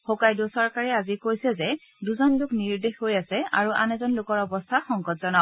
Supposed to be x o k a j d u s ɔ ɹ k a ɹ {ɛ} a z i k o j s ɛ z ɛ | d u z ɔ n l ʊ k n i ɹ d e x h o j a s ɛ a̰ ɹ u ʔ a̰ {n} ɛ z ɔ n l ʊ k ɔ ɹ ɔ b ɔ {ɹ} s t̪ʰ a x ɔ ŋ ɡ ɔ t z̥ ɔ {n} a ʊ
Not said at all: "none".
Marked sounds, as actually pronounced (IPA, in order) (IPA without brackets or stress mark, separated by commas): ɛ, n, none, n